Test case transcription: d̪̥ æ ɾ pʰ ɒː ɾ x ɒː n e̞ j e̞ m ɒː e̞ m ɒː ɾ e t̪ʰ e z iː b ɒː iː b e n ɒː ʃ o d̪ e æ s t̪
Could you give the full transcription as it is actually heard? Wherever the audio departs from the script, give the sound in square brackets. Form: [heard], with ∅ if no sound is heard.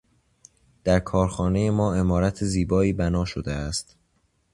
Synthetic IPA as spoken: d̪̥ æ ɾ [kʰ] ɒː ɾ x ɒː n e̞ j e̞ m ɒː e̞ m ɒː ɾ [æ] t̪ʰ e z iː b ɒː iː b [æ] n ɒː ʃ o d̪ e æ s t̪